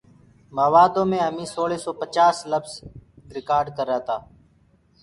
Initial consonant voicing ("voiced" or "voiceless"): voiced